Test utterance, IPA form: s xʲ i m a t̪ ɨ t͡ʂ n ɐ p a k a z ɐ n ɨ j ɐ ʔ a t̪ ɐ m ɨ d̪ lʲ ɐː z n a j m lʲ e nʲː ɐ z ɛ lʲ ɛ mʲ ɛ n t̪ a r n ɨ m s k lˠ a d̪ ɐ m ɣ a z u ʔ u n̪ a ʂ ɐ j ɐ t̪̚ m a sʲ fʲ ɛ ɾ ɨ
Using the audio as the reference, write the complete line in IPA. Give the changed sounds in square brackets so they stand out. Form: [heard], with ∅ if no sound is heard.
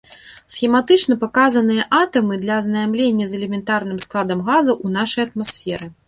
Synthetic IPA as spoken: s xʲ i m a t̪ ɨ t͡ʂ n ɐ p a k a z ɐ n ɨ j ɐ ʔ a t̪ ɐ m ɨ d̪ lʲ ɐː z n a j m lʲ e nʲː ɐ z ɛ lʲ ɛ mʲ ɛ n t̪ a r n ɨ m s k lˠ a d̪ ɐ m ɣ a z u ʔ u n̪ a ʂ ɐ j ɐ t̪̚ m a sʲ fʲ ɛ ɾ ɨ